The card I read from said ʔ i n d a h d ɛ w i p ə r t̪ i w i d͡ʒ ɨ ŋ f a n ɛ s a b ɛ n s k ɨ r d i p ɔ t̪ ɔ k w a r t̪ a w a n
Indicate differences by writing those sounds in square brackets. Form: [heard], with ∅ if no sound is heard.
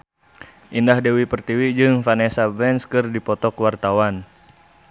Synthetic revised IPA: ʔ i n d a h d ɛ w i p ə r t̪ i w i d͡ʒ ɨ ŋ f a n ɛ s a b ɛ n s k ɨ r d i p ɔ t̪ ɔ k w a r t̪ a w a n